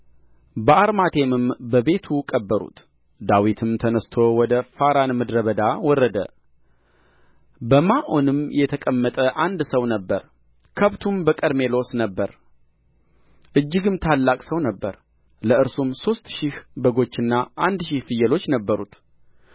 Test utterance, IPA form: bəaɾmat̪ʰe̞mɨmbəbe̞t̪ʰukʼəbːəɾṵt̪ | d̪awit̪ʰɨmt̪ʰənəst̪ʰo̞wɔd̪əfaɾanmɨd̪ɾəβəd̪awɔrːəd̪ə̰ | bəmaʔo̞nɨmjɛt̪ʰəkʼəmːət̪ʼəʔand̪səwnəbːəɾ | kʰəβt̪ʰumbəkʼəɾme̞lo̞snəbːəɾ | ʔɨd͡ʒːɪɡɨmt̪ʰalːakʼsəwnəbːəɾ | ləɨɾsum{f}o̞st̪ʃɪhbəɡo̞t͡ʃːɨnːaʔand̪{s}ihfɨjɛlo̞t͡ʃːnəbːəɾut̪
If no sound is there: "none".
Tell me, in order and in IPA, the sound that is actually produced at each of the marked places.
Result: s, ʃ

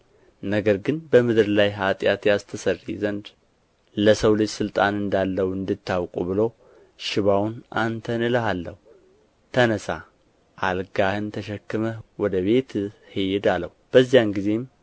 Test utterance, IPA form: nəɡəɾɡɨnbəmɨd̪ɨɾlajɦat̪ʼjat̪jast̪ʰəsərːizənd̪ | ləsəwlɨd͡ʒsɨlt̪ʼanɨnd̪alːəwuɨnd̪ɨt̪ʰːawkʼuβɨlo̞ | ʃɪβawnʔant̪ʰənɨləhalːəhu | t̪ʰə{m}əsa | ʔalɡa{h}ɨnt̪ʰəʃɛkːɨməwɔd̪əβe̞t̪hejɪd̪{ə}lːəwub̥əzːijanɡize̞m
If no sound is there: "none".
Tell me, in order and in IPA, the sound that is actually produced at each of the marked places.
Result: n, h, a

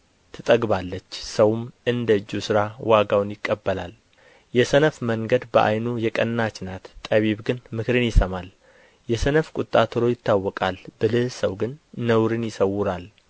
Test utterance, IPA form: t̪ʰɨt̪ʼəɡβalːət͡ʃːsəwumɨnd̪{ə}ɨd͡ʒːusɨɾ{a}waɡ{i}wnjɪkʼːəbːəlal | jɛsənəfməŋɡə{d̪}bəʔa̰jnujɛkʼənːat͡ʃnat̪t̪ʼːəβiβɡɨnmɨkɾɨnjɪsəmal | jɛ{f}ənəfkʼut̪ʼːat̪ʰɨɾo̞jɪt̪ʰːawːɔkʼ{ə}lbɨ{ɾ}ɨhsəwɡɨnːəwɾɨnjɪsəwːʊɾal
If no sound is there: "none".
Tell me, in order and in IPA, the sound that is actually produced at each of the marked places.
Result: ə, a, a, d̪, s, a, l

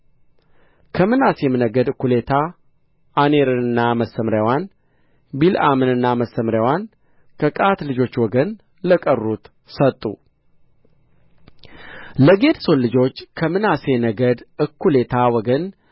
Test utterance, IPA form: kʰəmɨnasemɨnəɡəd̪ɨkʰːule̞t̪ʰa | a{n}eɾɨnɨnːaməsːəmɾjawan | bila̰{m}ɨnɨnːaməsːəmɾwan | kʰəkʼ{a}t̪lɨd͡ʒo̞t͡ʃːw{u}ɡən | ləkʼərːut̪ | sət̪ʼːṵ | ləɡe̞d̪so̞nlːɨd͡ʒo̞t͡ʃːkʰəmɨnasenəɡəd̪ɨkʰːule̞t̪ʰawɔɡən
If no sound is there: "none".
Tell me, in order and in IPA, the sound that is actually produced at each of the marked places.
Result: n, m, a, ɔ

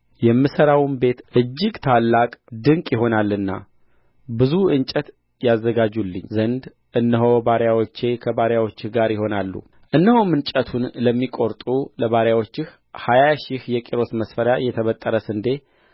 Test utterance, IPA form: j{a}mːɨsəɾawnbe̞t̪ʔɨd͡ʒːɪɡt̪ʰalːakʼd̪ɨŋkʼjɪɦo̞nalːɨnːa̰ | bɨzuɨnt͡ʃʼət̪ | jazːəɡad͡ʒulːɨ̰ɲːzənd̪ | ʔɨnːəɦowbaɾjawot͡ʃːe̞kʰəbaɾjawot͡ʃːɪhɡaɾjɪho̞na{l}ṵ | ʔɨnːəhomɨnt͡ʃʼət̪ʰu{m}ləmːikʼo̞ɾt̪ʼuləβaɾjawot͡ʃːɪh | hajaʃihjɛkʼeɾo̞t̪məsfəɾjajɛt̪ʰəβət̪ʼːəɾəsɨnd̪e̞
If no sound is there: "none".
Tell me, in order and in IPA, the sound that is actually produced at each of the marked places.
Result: ɛ, lː, n

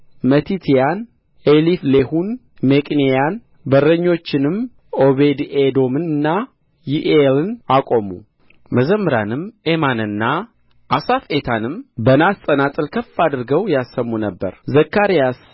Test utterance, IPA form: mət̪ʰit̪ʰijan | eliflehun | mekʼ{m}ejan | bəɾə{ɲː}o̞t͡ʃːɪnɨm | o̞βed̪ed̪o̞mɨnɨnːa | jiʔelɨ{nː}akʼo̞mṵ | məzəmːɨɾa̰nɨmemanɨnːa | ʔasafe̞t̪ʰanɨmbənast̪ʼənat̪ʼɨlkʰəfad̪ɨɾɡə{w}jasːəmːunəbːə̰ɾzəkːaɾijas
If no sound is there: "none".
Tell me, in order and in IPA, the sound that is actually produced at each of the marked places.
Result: n, ɲː, n, w

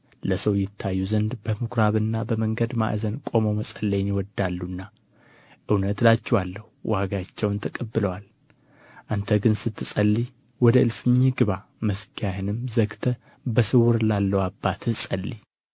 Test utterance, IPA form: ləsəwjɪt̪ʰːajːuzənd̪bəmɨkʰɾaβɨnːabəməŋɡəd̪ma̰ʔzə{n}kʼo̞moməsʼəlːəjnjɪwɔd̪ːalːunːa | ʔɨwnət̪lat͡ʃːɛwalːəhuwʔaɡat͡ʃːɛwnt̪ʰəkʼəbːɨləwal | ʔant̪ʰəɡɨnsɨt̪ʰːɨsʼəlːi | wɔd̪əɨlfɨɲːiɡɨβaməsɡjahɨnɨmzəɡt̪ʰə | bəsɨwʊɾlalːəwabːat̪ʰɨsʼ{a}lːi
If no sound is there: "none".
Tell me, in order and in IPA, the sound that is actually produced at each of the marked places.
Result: n, ə

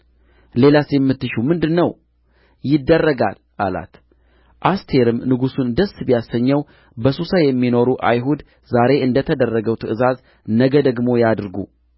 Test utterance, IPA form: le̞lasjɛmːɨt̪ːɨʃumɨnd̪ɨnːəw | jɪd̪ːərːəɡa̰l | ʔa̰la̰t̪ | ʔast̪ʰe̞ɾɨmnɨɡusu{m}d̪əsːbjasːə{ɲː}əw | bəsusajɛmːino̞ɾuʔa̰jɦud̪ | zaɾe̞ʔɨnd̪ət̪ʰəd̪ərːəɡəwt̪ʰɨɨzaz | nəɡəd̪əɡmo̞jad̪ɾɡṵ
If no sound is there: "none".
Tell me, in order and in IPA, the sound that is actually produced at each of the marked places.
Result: n, ɲː

